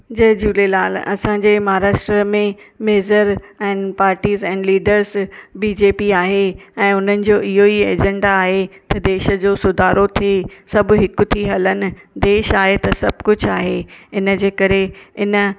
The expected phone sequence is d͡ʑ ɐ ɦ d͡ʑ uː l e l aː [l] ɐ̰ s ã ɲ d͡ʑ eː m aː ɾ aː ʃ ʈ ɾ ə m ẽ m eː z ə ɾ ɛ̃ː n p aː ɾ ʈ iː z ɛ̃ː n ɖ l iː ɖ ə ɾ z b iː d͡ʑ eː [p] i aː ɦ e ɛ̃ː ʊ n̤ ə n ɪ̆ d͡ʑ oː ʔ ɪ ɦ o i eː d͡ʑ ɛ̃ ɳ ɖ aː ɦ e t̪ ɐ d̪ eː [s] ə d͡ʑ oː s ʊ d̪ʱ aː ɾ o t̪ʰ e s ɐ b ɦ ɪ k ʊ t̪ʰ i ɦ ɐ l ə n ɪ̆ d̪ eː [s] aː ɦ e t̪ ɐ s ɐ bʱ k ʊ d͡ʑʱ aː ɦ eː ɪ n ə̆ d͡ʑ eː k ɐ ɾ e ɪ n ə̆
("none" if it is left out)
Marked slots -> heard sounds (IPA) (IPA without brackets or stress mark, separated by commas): l, p, ʃ, ʃ